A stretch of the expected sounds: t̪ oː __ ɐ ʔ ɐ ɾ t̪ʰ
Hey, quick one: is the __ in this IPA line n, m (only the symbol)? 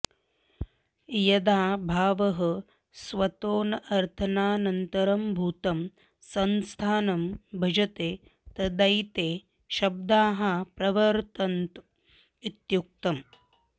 n